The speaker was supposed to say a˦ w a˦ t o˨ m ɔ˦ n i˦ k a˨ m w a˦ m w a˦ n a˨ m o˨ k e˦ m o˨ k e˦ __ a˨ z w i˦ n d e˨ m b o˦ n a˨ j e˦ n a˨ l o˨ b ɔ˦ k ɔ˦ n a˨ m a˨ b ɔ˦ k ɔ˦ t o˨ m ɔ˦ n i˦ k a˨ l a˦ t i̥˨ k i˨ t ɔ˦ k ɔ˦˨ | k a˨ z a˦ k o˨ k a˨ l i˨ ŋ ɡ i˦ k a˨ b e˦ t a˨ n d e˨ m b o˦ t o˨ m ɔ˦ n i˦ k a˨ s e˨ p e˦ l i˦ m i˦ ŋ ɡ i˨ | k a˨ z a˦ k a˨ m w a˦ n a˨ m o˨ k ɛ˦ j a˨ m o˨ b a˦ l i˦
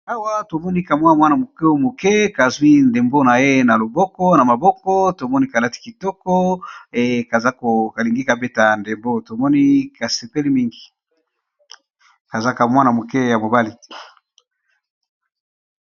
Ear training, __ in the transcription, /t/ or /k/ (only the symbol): k